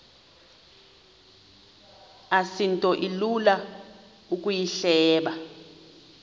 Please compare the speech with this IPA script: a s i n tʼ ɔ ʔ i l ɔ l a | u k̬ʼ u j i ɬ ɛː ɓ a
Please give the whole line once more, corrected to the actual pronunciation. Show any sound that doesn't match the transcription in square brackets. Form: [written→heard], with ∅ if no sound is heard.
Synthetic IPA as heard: a s i n tʼ ɔ ʔ i l [ɔ→u] l a | u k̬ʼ u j i ɬ ɛː ɓ a